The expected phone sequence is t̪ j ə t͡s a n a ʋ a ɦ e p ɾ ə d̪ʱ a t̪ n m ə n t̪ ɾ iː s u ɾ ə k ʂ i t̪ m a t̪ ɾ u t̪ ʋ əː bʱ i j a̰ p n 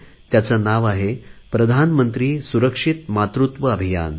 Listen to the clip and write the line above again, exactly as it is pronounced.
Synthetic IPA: t̪ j a t͡s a n a ʋ a ɦ e p ɾ ə d̪ʱ a n m ə n t̪ ɾ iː s u ɾ ə k ʂ i t̪ m a t̪ ɾ u t̪ ʋ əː bʱ i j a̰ n